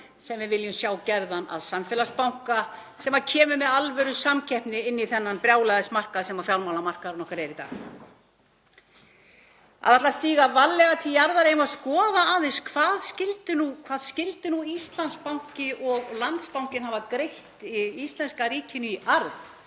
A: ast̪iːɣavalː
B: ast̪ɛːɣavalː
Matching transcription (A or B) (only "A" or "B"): A